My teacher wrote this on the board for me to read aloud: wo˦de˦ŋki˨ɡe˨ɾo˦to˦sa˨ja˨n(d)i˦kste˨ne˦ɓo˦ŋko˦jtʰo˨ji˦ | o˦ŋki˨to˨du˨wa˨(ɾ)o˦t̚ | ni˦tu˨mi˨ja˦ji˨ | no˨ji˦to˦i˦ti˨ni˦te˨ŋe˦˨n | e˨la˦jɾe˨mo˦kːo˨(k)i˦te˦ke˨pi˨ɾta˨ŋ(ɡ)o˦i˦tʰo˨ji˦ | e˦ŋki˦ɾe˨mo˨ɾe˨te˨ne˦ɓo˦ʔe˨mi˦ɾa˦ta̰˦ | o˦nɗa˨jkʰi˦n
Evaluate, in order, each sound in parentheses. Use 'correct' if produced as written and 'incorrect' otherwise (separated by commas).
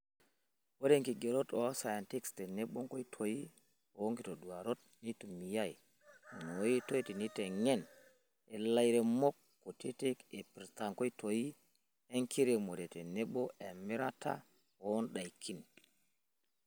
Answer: incorrect, correct, incorrect, incorrect